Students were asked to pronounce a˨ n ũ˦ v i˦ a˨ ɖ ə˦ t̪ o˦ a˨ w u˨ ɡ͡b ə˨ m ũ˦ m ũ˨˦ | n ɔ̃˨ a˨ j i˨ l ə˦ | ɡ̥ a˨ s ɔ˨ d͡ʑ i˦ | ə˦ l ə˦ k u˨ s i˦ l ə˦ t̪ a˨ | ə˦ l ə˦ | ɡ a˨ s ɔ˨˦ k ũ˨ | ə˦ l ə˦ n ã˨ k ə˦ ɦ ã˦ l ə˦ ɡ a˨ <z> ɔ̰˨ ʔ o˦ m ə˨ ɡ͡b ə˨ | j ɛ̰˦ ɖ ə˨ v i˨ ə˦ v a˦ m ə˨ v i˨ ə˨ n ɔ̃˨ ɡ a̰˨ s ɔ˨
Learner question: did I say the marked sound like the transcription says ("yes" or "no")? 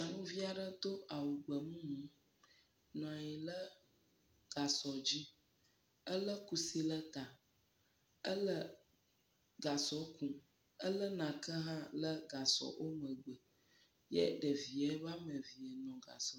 no